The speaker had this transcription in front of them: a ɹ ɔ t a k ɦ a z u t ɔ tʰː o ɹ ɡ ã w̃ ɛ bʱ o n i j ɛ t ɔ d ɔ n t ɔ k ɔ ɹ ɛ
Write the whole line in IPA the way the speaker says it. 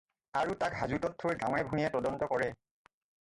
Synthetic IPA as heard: a ɹ u t a k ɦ a z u t ɔ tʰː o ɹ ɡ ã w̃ ɛ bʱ u n i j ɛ t ɔ d ɔ n t ɔ k ɔ ɹ ɛ